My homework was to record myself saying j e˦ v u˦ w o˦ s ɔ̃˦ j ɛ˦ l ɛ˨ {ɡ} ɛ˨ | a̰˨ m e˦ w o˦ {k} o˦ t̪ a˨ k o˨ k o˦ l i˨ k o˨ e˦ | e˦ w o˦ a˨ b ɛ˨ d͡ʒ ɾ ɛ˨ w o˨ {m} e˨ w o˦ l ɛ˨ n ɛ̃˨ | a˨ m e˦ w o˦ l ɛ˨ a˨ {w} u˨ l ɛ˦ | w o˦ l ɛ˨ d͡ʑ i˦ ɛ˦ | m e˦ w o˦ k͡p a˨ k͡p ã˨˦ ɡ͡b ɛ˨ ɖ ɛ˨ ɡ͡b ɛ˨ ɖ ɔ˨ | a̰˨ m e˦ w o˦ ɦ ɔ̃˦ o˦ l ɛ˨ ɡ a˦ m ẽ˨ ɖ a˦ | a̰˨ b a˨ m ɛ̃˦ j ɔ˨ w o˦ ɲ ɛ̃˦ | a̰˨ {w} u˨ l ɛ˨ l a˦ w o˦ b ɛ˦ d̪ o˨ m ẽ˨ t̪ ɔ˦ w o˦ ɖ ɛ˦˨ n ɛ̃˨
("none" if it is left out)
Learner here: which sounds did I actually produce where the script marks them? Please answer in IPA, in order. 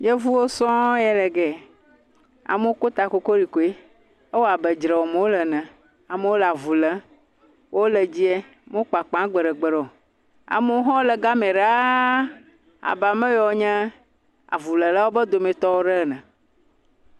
ɡ, k, m, v, v

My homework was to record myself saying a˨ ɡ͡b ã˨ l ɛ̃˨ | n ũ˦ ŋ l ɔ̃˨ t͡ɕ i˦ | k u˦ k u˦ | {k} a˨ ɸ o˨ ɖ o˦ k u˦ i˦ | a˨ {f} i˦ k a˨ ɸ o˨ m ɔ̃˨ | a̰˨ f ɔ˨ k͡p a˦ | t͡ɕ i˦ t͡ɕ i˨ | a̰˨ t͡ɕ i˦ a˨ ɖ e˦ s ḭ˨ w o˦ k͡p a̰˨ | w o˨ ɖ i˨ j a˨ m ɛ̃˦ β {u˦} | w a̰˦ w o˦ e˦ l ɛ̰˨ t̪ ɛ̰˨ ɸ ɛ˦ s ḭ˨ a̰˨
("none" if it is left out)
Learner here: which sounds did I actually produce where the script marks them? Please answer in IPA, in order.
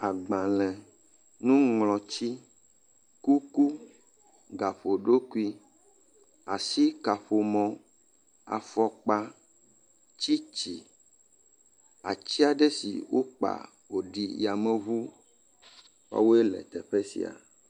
ɡ, s, u˦

